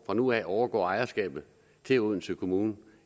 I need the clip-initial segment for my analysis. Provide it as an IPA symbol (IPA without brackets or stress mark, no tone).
f